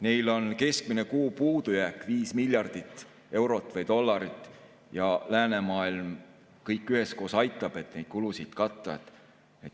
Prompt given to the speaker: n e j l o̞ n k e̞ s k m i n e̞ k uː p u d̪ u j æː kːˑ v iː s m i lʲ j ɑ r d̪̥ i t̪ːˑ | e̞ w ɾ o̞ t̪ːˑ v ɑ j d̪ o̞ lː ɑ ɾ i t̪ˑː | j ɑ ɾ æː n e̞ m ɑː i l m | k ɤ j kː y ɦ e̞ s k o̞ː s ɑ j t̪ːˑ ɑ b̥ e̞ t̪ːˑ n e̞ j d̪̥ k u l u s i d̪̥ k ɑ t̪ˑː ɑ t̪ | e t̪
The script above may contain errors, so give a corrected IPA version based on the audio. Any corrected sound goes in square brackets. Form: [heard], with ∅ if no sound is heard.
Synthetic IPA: n e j l o̞ n k e̞ s k m i n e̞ k uː p [uː] d̪ u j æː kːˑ v iː s m i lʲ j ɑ r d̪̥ i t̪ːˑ | e̞ w ɾ o̞ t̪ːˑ v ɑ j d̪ o̞ lː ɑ ɾ i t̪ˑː | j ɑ [l] æː n e̞ m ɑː i l m | k ɤ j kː y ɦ e̞ s k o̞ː s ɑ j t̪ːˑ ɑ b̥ e̞ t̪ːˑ n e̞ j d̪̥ k u l u s i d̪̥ k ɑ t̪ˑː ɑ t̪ | e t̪